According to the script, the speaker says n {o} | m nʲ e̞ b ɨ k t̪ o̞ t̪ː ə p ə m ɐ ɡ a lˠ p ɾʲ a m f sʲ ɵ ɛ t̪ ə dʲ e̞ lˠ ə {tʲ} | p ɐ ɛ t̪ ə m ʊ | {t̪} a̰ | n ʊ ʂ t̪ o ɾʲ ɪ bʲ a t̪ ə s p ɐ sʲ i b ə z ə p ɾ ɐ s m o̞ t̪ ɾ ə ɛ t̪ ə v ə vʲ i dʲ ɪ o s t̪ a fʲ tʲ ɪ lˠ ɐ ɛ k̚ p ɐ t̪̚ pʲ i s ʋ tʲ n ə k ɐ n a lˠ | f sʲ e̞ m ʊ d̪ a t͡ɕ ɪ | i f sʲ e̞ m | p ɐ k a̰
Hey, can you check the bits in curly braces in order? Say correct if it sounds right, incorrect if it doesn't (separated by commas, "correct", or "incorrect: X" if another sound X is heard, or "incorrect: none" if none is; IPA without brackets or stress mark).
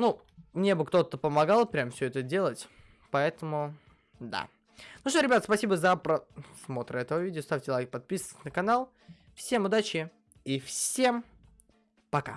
incorrect: u, correct, incorrect: d̪